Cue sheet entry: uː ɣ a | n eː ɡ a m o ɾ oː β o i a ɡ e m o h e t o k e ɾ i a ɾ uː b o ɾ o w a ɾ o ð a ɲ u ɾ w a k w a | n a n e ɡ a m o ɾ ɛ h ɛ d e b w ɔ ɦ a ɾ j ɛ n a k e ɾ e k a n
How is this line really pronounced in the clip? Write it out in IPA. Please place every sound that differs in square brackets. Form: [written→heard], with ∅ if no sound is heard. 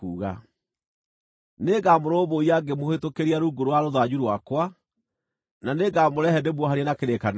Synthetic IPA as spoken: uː ɣ a | n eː ɡ a m o ɾ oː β o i a ɡ e m o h e t o k e ɾ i a ɾ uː [b→ɡ] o ɾ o w a ɾ o ð a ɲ u ɾ w a k w a | n a n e ɡ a m o ɾ ɛ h ɛ d e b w ɔ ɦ a ɾ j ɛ n a k e ɾ e k a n